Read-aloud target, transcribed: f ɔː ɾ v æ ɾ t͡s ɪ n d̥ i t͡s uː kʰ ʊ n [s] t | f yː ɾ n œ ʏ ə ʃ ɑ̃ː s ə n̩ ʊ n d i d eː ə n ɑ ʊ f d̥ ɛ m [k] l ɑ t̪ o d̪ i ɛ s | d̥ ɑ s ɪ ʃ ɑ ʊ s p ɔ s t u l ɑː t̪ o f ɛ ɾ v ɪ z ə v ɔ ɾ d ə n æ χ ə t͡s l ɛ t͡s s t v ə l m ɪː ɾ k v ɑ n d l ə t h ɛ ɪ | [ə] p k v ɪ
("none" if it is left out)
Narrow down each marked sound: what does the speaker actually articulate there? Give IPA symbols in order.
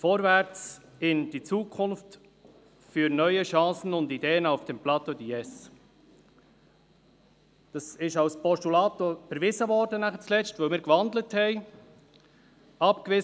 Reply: f, p, ɑ

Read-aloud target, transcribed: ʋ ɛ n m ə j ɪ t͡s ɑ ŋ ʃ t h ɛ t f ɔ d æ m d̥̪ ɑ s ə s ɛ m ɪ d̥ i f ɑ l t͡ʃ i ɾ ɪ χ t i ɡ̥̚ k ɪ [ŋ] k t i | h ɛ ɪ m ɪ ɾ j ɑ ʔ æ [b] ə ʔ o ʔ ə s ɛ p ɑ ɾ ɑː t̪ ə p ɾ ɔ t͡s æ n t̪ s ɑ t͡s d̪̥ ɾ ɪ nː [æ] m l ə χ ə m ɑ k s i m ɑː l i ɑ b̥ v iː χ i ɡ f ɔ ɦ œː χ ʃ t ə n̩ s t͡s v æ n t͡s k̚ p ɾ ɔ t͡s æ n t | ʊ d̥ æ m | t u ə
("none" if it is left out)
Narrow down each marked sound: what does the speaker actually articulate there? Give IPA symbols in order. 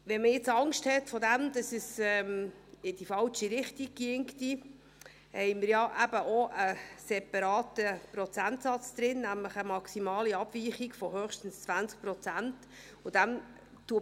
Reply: ŋ, b, æ

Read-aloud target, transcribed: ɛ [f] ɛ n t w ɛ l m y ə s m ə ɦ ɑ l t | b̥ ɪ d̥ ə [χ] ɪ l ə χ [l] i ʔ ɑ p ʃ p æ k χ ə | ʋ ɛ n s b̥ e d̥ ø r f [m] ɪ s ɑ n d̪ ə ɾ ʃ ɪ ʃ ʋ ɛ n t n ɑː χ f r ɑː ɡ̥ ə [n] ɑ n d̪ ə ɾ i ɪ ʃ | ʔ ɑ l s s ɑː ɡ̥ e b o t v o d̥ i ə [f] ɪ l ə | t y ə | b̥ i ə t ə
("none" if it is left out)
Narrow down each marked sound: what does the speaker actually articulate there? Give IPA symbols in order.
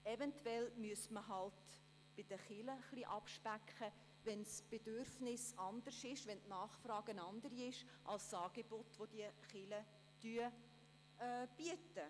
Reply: v, χ, l, n, n, χ

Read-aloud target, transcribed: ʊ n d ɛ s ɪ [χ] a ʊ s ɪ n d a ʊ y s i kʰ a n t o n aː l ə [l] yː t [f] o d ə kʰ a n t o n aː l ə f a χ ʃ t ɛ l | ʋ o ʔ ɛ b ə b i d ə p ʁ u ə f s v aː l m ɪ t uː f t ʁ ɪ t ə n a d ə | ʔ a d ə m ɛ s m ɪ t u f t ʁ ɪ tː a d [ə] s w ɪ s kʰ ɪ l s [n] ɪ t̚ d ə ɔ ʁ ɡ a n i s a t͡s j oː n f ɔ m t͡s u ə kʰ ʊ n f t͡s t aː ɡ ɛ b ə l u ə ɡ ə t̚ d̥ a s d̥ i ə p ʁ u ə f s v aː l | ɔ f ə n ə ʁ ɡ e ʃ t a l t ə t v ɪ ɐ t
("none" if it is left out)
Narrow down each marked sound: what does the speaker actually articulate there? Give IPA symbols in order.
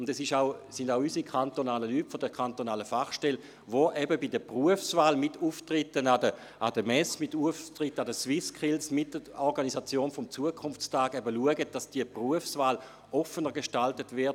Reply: ʃ, l, f, ə, m

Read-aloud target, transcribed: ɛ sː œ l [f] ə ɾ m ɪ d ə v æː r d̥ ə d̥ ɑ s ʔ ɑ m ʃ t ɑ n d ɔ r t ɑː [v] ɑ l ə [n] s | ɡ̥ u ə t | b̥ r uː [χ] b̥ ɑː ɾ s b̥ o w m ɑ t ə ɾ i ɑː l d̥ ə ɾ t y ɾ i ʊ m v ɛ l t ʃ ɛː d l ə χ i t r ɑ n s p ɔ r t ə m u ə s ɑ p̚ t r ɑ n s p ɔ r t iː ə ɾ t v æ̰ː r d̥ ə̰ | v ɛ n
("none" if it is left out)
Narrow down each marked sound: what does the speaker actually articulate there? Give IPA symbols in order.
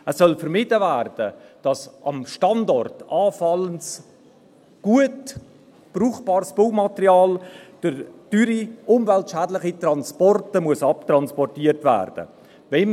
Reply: f, f, n, χ

